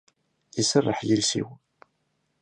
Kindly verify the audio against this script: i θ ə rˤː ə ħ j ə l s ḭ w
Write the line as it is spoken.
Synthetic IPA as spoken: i s ə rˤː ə ħ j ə l s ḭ w